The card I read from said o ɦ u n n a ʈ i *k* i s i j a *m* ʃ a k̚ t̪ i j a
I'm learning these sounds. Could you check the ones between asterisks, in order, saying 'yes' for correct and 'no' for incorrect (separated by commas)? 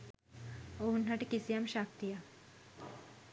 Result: yes, yes